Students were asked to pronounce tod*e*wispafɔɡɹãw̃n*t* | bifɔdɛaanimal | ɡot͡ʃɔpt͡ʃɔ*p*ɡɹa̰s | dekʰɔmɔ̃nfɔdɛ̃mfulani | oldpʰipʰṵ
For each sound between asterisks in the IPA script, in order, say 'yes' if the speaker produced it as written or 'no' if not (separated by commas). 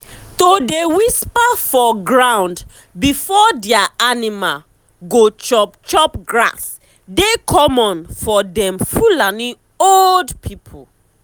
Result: yes, no, yes